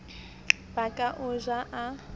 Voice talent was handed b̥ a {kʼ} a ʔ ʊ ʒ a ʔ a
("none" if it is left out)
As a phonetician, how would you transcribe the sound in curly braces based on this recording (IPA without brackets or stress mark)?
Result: kʼ